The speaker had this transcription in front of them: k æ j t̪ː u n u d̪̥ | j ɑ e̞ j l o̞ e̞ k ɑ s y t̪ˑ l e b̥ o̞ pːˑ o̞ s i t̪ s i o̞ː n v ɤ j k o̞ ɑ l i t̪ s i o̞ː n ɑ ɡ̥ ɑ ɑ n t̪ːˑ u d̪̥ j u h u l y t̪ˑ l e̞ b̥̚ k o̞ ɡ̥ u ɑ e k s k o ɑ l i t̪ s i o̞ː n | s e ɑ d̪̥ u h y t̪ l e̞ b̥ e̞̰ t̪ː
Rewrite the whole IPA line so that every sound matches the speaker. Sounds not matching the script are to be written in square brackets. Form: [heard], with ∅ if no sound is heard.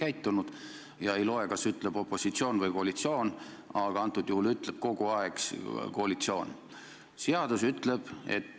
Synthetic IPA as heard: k æ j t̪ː u n u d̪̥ | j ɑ e̞ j l o̞ e̞ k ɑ s y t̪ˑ l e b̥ o̞ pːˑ o̞ s i t̪ s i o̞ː n v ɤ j k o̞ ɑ l i t̪ s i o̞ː n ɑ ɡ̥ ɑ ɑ n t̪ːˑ u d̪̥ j u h u l y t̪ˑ l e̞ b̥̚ k o̞ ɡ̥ u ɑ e k s k o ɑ l i t̪ s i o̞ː n | s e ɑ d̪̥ u [s] y t̪ l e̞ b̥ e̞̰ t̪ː